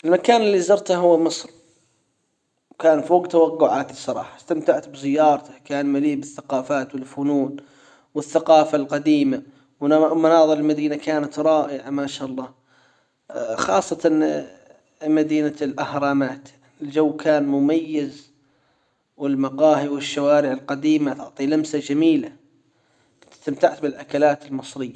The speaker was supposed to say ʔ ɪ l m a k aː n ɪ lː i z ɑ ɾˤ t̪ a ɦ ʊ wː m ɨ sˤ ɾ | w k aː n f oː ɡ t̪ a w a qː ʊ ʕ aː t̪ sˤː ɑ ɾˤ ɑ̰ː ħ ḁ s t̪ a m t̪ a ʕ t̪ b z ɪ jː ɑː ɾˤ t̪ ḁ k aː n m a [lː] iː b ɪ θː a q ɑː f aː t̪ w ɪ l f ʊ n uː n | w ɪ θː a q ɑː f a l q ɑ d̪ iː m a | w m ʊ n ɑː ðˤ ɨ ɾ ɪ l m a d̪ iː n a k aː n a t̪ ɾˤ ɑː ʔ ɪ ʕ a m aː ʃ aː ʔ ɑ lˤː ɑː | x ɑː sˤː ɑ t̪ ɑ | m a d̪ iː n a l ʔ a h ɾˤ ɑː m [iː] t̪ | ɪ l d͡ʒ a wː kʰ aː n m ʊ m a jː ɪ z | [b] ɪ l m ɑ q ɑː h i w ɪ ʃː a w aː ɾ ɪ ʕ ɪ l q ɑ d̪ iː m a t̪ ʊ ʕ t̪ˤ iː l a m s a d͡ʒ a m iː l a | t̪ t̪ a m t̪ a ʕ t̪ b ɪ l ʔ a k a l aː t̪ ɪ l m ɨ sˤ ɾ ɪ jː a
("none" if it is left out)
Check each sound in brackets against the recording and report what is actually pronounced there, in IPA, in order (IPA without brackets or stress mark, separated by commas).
l, aː, w